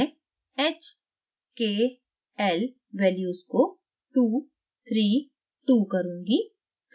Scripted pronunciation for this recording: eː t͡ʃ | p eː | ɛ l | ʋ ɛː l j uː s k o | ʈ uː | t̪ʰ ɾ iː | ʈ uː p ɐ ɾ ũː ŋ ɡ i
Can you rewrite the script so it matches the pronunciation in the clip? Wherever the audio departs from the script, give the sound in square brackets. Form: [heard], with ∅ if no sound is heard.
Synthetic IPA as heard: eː t͡ʃ | [k] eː | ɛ l | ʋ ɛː l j uː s k o | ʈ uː | t̪ʰ ɾ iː | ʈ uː [k] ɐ ɾ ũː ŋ ɡ i

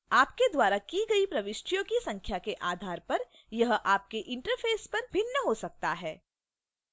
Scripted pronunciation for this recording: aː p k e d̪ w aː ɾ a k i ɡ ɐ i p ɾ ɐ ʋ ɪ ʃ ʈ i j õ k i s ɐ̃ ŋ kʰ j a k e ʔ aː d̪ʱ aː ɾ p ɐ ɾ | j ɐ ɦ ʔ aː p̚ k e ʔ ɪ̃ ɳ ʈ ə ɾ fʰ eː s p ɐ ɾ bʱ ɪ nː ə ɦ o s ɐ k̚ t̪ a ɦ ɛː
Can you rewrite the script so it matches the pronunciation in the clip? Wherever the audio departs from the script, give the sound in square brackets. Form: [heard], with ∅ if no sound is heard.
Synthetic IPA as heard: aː p k e d̪ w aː ɾ a k i ɡ ɐ i p ɾ ɐ ʋ ɪ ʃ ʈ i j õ k i s ɐ̃ ŋ kʰ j a k e ʔ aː d̪ʱ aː ɾ p ɐ ɾ | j ɐ ɦ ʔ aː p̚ k e ʔ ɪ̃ ɳ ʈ ə ɾ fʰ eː s p ɐ ɾ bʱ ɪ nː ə ɦ o s ɐ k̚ t̪ a ɦ ɛː

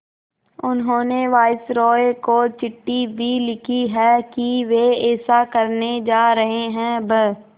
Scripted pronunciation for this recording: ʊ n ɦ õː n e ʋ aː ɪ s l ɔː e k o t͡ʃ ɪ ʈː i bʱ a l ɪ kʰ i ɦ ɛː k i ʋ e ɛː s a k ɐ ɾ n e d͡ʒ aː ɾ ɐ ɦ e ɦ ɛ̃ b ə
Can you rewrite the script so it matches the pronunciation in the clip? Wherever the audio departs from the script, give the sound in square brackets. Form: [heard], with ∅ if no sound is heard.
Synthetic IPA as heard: ʊ n ɦ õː n e ʋ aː ɪ s [ɾ] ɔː e k o t͡ʃ ɪ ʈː i bʱ [i] l ɪ kʰ i ɦ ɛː k i ʋ e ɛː s a k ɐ ɾ n e d͡ʒ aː ɾ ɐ ɦ e ɦ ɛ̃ b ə

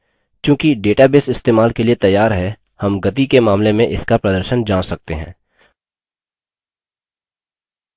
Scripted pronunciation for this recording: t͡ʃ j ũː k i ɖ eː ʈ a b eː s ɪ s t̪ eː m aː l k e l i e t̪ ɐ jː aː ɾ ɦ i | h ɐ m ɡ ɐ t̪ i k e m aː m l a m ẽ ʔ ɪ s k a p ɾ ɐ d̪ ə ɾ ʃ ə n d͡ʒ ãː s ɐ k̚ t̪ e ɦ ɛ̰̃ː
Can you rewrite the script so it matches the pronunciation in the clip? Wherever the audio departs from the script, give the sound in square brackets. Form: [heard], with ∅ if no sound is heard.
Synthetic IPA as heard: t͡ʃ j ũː k i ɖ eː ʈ a b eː s ɪ s t̪ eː m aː l k e l i e t̪ ɐ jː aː ɾ ɦ [ɛ] | h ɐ m ɡ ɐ t̪ i k e m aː m l [e] m ẽ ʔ ɪ s k a p ɾ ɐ d̪ ə ɾ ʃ ə n d͡ʒ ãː s ɐ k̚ t̪ e ɦ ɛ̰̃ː

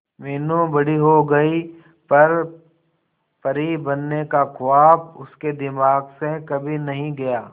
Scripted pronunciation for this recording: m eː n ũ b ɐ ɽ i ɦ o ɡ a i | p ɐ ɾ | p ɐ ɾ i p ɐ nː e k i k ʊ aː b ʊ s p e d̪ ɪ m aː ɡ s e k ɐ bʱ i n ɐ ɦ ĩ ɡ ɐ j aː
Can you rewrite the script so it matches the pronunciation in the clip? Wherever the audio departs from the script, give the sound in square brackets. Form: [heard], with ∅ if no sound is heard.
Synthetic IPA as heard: m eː n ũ b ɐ ɽ i ɦ o ɡ [ɐ] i | p ɐ ɾ | p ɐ ɾ i [b] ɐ nː e k [a] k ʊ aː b ʊ s [k] e d̪ ɪ m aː ɡ s e k ɐ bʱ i n ɐ ɦ ĩ ɡ ɐ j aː

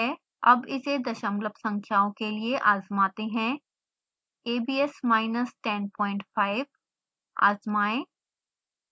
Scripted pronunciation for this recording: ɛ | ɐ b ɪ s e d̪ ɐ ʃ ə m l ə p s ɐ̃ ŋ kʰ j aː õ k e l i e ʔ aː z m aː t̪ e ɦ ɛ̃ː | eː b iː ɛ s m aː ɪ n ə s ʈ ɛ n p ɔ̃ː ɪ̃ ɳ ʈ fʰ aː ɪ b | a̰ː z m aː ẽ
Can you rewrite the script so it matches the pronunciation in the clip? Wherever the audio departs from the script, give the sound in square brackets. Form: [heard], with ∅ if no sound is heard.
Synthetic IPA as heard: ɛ | ɐ b ɪ s e d̪ ɐ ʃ ə m l ə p s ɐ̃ ŋ kʰ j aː õ k e l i e ʔ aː z m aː t̪ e ɦ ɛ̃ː | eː b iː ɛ s m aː ɪ n ə s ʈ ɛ n p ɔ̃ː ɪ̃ ɳ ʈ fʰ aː ɪ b | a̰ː z m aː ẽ

